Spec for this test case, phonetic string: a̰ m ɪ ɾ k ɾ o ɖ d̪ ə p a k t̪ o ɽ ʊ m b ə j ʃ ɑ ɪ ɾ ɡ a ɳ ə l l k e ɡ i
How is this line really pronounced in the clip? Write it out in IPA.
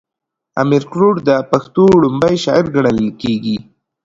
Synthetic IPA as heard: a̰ m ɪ ɾ k ɾ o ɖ d̪ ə p a x t̪ o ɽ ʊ m b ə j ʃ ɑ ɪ ɾ ɡ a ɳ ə l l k e ɡ i